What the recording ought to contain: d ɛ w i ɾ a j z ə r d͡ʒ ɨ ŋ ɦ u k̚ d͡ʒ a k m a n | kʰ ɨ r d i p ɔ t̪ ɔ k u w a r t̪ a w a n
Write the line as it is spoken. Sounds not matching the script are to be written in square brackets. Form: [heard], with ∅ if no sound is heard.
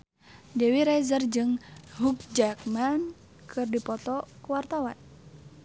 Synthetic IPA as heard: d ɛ w i ɾ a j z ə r d͡ʒ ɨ ŋ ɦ u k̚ d͡ʒ a k m a n | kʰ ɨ r d i p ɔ t̪ ɔ k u w a r t̪ a w a n